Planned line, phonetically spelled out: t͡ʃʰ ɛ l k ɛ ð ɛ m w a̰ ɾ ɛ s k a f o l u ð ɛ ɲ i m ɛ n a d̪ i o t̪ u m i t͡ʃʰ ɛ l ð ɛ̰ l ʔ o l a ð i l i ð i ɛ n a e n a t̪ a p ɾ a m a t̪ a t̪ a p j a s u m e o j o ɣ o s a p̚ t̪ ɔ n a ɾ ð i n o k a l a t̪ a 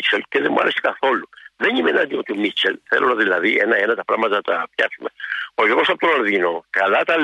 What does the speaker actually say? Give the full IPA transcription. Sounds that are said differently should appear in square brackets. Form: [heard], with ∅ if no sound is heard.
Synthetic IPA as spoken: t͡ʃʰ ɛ l k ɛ ð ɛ m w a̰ ɾ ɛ s k a [θ] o l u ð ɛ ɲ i m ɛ n a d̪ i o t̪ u m i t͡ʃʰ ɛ l [θ] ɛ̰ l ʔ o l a ð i l [a] ð i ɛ n a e n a t̪ a p ɾ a m a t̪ a t̪ a p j a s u m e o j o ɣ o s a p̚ t̪ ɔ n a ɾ ð i n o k a l a t̪ a